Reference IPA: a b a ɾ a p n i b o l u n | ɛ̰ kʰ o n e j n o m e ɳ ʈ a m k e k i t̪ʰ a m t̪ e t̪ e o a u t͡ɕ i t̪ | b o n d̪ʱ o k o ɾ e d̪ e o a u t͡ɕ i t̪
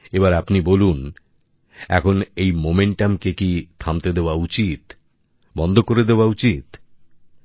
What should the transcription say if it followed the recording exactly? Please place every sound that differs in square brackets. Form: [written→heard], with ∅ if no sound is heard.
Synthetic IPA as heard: [a→e] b a ɾ a p n i b o l u n | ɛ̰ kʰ o n e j [n→m] o m e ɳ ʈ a m k e k i t̪ʰ a m t̪ e [t̪→d̪] e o a u t͡ɕ i t̪ | b [o→ɔ] n d̪ʱ o k o ɾ e d̪ e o a u t͡ɕ i t̪